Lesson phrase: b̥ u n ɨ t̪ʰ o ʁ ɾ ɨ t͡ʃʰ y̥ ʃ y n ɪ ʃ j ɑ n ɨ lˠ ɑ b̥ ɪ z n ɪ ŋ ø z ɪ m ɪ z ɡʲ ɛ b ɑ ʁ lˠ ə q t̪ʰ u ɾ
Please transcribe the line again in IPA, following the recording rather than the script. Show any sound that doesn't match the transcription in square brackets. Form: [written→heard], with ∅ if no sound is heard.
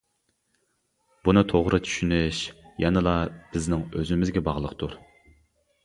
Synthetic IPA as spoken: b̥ u n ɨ t̪ʰ o ʁ ɾ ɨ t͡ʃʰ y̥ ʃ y n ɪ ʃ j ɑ n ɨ lˠ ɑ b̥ ɪ z n ɪ ŋ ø z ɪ m ɪ z ɡʲ ɛ b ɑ ʁ lˠ ə q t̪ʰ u ɾ